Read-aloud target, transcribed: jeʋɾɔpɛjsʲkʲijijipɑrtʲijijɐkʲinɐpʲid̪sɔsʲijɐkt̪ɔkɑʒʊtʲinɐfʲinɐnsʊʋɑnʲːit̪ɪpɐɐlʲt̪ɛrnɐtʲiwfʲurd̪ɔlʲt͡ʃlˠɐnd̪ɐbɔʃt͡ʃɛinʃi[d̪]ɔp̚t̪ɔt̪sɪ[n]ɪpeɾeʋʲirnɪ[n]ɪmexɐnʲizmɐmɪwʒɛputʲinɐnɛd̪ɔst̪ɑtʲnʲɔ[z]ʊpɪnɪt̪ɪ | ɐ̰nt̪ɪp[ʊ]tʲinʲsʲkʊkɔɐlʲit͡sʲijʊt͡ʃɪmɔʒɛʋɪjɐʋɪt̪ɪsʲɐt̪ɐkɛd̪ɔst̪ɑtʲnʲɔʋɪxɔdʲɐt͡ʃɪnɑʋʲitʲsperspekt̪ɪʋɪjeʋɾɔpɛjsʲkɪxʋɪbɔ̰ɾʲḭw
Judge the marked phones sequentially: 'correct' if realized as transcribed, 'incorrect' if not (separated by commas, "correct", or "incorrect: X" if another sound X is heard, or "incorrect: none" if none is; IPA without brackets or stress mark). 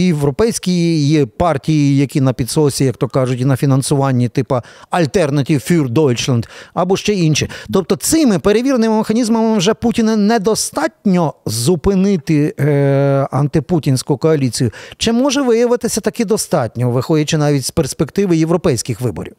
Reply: incorrect: t̪, incorrect: m, incorrect: m, correct, incorrect: u